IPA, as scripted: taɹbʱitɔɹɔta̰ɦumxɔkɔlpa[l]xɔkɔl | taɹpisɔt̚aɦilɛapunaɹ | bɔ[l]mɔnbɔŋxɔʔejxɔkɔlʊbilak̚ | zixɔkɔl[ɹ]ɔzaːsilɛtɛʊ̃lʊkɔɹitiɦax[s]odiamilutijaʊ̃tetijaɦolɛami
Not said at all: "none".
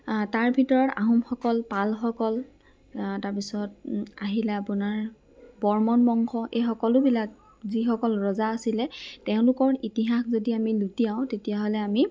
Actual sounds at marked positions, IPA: l, ɹ, ɹ, z

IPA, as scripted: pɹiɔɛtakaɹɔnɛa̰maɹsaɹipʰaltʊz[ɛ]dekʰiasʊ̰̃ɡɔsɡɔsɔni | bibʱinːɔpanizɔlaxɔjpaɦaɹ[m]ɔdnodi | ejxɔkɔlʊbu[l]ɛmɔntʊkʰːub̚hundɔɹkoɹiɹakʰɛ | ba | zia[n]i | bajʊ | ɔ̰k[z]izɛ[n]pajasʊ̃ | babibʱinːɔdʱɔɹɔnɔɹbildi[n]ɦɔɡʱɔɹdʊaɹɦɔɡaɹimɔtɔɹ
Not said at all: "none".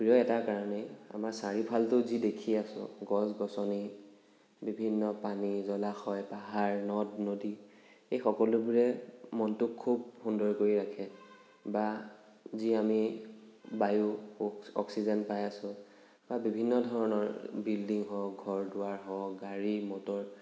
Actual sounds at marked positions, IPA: i, n, ɹ, m, s, n, ŋ

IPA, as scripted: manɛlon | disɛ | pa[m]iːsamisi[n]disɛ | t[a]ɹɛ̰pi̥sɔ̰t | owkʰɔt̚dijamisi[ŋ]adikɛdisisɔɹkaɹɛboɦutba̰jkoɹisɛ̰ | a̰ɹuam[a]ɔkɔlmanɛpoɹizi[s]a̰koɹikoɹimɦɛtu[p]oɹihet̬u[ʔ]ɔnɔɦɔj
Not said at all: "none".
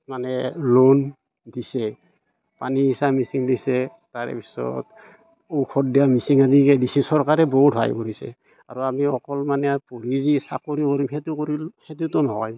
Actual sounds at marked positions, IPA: n, ŋ, a, ŋ, i, s, k, t

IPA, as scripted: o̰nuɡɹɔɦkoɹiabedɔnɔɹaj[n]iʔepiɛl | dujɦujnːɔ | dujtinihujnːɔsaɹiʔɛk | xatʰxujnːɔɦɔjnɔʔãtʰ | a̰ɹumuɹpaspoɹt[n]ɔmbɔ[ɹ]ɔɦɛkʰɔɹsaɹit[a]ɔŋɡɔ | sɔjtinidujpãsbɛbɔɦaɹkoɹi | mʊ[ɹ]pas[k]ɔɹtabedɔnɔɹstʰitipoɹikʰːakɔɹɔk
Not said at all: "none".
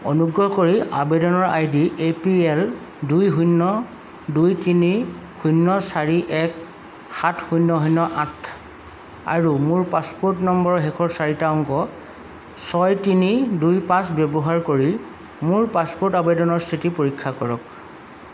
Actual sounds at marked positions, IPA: d, n, ɹ, a, ɹ, p

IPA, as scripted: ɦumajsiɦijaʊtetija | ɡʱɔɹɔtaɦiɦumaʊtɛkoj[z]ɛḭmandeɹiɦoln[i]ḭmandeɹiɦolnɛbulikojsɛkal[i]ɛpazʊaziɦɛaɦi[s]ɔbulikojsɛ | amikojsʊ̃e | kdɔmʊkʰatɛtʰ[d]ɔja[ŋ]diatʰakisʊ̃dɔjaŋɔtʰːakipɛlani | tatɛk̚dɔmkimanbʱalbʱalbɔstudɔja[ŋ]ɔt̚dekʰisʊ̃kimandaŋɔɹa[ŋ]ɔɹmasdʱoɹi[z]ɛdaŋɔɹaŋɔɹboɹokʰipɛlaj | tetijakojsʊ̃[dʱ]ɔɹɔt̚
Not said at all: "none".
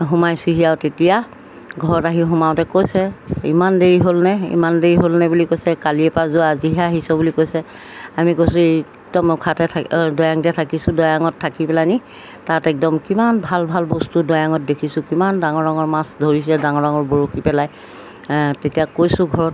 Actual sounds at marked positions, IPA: s, ɛ, i, s, d, ŋ, ŋ, ŋ, s, ɡʱ

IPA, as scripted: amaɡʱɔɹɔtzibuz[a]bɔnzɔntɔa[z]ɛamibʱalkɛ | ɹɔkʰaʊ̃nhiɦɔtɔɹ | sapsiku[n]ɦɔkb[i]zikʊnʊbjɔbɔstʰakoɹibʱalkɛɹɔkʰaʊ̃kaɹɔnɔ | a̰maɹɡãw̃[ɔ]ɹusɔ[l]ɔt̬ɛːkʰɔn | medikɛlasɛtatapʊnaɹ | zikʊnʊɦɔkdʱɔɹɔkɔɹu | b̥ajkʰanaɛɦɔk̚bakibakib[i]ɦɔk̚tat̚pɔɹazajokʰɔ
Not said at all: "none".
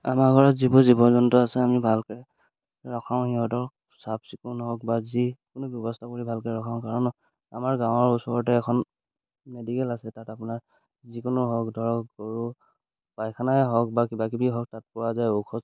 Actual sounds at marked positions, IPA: i, s, n, a, ɔ, ɹ, i

